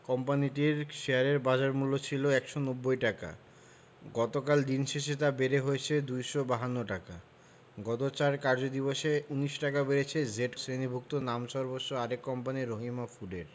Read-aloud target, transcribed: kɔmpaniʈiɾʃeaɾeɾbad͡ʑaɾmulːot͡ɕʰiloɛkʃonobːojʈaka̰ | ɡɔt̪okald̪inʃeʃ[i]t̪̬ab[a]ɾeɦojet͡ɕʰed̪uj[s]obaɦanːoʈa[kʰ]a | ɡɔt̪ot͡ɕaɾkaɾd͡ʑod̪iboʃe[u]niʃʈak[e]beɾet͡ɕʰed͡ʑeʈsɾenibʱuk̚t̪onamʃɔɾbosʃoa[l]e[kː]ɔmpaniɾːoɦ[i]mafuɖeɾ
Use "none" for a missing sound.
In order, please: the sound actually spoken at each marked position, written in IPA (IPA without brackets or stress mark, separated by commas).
e, e, ʃ, k, u, a, ɾ, kː, i